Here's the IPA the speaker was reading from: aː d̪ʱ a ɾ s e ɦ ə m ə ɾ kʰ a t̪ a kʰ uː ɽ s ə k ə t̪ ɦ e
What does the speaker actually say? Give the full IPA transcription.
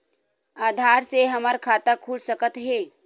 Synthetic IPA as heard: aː d̪ʱ a ɾ s e ɦ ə m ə ɾ kʰ a t̪ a kʰ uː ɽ s ə k ə t̪ ɦ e